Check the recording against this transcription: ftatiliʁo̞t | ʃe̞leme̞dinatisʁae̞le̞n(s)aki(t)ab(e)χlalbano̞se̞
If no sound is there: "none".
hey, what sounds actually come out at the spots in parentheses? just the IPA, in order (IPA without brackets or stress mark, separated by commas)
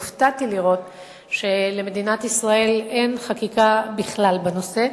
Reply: χ, k, i